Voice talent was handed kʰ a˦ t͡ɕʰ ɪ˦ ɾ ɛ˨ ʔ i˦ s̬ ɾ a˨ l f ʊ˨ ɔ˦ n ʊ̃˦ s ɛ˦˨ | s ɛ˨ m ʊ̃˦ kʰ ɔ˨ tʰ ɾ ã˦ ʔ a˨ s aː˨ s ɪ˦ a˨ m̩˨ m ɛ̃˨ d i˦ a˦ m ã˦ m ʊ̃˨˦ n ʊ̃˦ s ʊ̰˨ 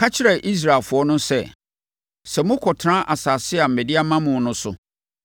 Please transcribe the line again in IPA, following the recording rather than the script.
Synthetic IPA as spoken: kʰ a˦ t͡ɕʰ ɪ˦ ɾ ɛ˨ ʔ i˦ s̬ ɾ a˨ l f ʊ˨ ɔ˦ n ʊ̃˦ s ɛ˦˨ | s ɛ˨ m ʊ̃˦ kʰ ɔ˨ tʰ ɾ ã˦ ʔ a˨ s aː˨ s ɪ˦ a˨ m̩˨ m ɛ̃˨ d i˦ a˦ m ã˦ m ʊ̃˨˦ n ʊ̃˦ s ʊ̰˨

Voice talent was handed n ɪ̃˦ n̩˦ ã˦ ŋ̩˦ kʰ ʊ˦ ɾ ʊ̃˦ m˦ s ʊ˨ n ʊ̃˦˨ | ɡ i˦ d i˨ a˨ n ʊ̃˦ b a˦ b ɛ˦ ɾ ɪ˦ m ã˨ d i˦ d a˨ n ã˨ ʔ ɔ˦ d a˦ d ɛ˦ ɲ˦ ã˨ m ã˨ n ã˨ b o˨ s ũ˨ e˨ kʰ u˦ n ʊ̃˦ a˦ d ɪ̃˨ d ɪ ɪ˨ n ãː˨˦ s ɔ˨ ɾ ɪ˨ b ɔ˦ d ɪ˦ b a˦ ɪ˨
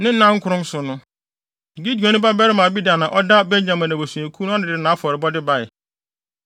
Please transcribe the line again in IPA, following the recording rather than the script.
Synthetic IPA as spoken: n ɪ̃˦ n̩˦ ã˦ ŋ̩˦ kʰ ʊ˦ ɾ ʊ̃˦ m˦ s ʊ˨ n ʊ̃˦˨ | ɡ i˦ d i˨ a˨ n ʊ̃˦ b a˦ b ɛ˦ ɾ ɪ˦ m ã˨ b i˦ d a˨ n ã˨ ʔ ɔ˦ d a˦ b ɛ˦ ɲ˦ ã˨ m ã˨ n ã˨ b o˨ s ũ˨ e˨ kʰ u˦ n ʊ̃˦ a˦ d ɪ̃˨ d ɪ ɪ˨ n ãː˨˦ f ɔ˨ ɾ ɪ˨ b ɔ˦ d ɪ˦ b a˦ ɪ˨

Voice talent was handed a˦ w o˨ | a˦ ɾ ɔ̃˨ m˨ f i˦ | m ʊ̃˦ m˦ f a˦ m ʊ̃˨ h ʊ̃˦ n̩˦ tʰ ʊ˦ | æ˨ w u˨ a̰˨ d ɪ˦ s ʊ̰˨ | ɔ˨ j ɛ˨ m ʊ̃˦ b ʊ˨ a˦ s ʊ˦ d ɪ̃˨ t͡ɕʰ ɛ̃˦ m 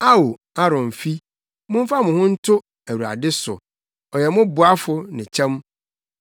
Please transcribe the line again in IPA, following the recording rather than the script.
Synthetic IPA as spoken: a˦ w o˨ | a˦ ɾ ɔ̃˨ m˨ f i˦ | m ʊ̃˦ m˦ f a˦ m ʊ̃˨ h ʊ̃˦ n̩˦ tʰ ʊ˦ | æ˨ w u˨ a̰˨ d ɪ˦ s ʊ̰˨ | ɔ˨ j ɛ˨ m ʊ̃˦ b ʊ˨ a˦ f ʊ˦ n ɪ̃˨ t͡ɕʰ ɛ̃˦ m

